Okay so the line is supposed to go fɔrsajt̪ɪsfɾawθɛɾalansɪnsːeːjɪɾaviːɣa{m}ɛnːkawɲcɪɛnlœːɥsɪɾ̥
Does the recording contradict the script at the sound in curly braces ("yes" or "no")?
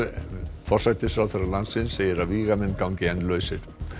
no